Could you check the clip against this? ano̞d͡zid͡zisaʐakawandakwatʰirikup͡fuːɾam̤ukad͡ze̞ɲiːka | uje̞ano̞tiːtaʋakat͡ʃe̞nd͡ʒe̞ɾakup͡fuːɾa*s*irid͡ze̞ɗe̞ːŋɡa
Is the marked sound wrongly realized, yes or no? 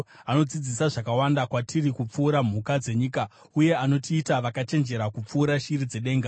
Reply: yes